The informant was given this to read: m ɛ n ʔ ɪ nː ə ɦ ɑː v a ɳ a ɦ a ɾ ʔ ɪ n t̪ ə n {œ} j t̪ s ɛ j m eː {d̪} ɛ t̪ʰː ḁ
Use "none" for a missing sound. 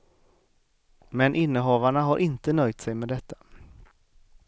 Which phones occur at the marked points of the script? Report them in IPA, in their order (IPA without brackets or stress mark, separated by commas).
œ, d̪